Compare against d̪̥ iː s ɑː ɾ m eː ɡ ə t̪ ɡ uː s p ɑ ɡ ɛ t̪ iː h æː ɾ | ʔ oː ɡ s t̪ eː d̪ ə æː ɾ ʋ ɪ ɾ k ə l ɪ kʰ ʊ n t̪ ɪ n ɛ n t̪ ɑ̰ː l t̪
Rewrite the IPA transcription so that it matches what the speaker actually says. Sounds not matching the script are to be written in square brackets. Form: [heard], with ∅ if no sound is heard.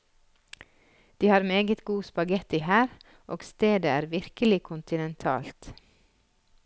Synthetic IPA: d̪̥ iː [h] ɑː ɾ m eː ɡ ə t̪ ɡ uː s p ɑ ɡ ɛ t̪ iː h æː ɾ | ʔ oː ɡ s t̪ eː d̪ ə æː ɾ ʋ ɪ ɾ k ə l ɪ kʰ ʊ n t̪ ɪ n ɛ n [t̪ʰ] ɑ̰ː l t̪